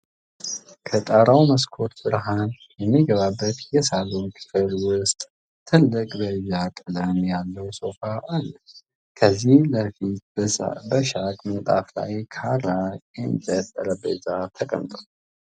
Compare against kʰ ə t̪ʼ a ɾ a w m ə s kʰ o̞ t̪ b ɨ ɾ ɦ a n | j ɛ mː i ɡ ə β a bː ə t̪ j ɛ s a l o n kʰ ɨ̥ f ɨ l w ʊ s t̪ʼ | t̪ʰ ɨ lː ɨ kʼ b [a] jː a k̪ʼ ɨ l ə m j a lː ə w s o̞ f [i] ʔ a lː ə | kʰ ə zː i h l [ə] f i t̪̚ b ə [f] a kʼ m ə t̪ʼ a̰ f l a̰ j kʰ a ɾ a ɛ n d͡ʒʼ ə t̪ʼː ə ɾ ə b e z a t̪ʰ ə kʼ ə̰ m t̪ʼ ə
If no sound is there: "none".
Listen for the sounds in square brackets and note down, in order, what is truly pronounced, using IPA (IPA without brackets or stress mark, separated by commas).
ə, a, ə, ʃ